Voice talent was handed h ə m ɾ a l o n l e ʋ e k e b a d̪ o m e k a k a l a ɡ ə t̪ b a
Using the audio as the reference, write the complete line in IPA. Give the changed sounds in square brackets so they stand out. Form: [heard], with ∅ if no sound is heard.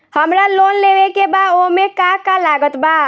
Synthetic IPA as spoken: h ə m ɾ a l o n l e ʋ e k e b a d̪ o m e k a k a l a ɡ ə t̪ b a

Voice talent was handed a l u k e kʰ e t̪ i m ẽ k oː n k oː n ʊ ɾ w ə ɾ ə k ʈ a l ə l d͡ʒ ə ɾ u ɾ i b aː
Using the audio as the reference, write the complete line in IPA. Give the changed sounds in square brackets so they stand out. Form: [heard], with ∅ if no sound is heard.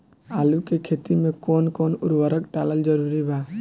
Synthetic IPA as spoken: a l u k e kʰ e t̪ i m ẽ k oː n k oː n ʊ ɾ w ə ɾ ə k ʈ a l ə l d͡ʒ ə ɾ u ɾ i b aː

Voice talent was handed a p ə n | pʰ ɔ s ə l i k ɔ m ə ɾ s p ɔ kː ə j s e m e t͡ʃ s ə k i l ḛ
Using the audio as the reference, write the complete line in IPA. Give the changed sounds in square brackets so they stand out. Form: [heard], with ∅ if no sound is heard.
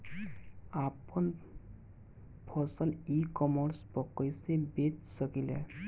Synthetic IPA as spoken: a p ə n | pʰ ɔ s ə l i k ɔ m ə ɾ s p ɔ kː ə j s e [b] e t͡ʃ s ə k i l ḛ

